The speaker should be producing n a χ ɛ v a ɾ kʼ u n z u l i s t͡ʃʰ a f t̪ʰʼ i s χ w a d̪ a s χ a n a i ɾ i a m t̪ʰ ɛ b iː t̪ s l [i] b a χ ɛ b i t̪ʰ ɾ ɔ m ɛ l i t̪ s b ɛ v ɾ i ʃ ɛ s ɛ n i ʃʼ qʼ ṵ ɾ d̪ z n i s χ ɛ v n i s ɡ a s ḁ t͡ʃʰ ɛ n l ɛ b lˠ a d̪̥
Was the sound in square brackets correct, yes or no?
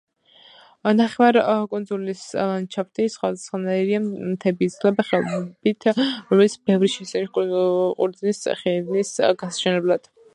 no